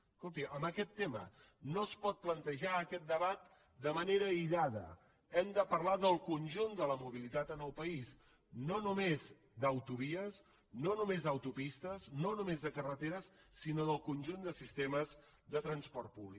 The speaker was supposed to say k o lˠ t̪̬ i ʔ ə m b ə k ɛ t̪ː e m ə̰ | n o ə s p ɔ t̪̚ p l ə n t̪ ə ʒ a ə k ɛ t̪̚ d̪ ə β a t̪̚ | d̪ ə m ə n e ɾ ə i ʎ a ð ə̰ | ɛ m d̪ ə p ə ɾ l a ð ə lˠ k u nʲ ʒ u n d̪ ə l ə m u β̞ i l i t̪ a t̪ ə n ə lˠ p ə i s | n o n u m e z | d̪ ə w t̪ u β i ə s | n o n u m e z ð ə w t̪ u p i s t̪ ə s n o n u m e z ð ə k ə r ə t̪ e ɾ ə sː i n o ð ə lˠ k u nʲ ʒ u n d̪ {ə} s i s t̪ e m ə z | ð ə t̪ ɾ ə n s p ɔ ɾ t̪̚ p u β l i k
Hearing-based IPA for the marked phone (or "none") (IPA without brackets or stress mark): ə